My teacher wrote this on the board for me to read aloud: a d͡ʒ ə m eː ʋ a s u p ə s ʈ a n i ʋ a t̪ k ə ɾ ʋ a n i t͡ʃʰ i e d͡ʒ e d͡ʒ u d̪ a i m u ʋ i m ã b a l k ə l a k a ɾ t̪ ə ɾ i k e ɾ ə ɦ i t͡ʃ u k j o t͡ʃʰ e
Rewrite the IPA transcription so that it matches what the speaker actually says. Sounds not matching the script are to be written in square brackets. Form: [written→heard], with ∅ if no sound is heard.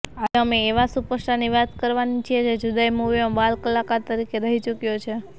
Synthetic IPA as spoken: a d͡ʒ ə m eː ʋ a s u p ə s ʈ a n i ʋ a t̪ k ə ɾ ʋ a n i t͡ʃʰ i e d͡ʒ e d͡ʒ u d̪ a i m u ʋ i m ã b a l k ə l a k a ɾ t̪ ə ɾ i k e ɾ ə ɦ i t͡ʃ u k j o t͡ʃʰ e